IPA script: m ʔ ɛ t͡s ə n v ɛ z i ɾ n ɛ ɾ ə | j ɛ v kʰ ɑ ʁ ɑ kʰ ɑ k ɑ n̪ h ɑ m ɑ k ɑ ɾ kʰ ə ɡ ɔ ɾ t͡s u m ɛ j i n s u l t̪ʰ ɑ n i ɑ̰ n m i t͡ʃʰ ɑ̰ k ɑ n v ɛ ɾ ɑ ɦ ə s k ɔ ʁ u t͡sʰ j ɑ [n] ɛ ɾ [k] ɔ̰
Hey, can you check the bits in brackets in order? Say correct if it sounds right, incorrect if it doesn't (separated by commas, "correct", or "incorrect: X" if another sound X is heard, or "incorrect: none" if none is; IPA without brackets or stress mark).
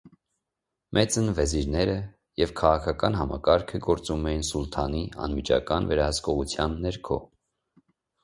incorrect: nː, incorrect: kʰ